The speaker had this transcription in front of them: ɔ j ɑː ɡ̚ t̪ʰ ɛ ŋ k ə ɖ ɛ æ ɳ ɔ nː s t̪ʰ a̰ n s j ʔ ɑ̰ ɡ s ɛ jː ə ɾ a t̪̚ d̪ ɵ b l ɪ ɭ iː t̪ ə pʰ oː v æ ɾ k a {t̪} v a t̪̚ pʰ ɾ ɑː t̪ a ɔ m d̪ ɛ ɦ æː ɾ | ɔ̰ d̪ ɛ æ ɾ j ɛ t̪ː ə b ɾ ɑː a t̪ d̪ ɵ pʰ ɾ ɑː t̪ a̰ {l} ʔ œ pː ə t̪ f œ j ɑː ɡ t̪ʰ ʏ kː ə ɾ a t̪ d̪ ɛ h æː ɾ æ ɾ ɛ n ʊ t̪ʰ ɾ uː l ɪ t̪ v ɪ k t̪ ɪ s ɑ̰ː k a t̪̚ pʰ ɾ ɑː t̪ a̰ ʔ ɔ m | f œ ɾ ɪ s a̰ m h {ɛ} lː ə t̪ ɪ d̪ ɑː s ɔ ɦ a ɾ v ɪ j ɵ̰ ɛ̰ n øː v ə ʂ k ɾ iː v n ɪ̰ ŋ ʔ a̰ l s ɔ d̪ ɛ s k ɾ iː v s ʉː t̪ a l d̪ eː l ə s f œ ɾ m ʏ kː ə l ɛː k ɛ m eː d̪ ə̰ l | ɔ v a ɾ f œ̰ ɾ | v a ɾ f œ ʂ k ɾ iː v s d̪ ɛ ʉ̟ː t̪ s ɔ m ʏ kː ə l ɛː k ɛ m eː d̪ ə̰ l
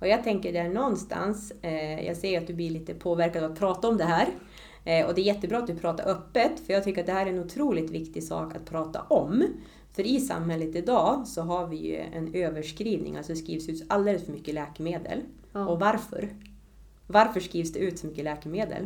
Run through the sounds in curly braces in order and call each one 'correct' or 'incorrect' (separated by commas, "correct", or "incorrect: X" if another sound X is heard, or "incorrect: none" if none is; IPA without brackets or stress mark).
incorrect: d̪, incorrect: ɾ, correct